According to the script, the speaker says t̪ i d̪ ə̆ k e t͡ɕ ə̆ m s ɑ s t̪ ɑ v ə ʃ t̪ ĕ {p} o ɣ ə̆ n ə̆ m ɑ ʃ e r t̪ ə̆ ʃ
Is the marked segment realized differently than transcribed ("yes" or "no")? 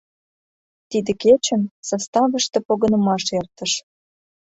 no